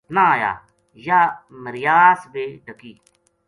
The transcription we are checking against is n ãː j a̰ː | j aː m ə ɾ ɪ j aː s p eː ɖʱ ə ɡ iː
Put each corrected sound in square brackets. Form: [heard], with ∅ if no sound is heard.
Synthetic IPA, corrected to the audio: n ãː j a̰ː | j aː m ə ɾ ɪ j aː s [b] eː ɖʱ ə [k] iː